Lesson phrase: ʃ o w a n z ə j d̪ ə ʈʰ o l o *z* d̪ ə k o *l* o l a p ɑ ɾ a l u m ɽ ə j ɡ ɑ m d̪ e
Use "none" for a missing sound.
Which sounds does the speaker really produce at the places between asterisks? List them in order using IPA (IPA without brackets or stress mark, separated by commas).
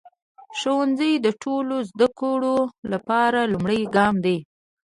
z, ɽ